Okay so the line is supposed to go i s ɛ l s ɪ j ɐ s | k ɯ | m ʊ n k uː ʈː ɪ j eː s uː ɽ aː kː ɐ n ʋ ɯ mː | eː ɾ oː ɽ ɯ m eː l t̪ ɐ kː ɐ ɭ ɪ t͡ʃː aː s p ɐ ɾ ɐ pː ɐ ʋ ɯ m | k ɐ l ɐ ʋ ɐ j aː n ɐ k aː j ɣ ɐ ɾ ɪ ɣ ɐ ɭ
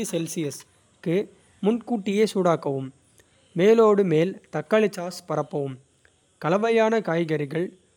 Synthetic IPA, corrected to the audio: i s ɛ l s ɪ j ɐ s | k ɯ | m ʊ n k uː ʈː ɪ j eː s uː ɽ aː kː ɐ ʋ ɯ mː | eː l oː ɽ ɯ m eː l t̪ ɐ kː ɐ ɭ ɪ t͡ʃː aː s p ɐ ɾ ɐ pː ɐ ʋ ɯ m | k ɐ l ɐ ʋ ɐ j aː n ɐ k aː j ɣ ɐ ɾ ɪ ɣ ɐ ɭ

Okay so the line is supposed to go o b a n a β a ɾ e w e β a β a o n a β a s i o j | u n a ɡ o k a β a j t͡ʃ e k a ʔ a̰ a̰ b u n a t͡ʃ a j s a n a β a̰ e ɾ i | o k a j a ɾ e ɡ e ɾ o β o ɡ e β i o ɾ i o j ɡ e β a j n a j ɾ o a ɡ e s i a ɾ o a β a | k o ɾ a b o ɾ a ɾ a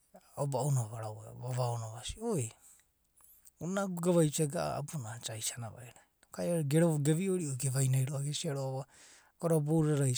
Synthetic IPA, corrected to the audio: o b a n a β a ɾ a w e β a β a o n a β a s i o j | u n a ɡ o ɡ a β a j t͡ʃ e ɡ a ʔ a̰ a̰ b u n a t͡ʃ a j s a n a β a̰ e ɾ a | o k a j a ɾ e ɡ e ɾ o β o ɡ e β i o ɾ i o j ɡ e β a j n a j ɾ o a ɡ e s i a ɾ o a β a | k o ɾ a b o ɾ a ɾ a

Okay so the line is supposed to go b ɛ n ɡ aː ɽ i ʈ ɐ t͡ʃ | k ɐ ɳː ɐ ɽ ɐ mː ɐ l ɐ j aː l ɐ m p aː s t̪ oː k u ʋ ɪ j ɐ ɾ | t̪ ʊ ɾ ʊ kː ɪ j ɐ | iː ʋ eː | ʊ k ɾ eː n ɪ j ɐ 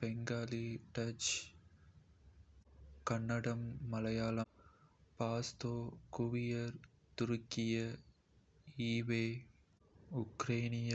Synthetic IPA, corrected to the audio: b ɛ ŋ ɡ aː l i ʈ ɐ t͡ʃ | k ɐ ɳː ɐ ɽ ɐ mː ɐ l ɐ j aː l ɐ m p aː s t̪ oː k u ʋ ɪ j ɐ ɾ | t̪ ʊ ɾ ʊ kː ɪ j ɐ | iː ʋ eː | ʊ k ɾ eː n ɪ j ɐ

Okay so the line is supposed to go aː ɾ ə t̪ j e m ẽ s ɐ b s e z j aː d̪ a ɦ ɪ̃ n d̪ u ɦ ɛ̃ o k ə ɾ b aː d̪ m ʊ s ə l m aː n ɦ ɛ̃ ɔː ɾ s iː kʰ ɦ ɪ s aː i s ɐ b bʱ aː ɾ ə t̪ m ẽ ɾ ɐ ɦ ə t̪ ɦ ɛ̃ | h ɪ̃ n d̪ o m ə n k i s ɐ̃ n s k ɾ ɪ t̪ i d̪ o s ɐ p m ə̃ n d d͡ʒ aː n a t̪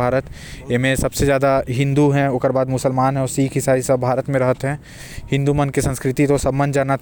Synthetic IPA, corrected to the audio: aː ɾ ə t̪ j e m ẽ s ɐ b s e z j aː d̪ a ɦ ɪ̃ n d̪ u ɦ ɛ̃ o k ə ɾ b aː d̪ m ʊ s ə l m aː n ɦ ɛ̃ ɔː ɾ s iː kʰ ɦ ɪ s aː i s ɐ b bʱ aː ɾ ə t̪ m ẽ ɾ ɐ ɦ ə t̪ ɦ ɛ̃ | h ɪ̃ n d̪ u m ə n k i s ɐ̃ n s k ɾ ɪ t̪ i t̪ o s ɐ b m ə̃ n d d͡ʒ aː n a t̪

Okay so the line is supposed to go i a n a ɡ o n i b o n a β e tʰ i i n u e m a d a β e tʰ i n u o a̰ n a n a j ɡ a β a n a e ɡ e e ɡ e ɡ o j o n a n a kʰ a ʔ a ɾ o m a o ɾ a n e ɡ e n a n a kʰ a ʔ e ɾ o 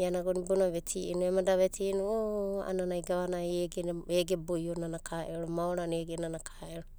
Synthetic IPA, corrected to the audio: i a n a ɡ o n i b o n a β e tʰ i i n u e m a d a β e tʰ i n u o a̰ n a n a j ɡ a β a n a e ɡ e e ɡ e b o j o n a n a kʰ a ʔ e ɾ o m a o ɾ a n e ɡ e n a n a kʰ a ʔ e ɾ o

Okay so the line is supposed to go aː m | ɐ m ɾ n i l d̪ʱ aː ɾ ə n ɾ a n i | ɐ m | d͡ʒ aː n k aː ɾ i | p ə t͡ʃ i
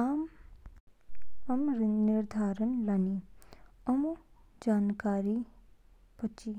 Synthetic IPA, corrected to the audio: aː m | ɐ m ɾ n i ɾ d̪ʱ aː ɾ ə n l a n i | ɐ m | d͡ʒ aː n k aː ɾ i | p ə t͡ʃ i

